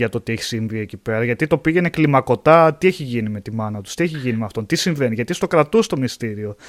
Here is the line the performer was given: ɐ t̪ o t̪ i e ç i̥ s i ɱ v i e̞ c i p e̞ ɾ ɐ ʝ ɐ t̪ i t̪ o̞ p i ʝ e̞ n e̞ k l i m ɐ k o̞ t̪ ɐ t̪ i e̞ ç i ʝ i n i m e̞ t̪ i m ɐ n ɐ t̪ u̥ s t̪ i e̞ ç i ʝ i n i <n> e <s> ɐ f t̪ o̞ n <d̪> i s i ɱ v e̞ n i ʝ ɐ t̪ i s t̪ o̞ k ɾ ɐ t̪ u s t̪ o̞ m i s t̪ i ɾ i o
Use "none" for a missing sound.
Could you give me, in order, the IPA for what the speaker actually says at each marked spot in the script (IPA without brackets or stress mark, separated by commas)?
m, none, t̪